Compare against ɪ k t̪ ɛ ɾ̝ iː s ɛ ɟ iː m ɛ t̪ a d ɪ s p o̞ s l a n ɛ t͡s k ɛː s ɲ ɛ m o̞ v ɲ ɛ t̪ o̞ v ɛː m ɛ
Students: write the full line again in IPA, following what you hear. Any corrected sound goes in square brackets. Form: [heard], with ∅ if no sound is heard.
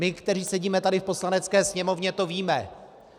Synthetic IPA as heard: ɪ k t̪ ɛ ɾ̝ iː s ɛ ɟ iː m ɛ t̪ a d ɪ [f] p o̞ s l a n ɛ t͡s k ɛː s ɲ ɛ m o̞ v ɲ ɛ t̪ o̞ v [iː] m ɛ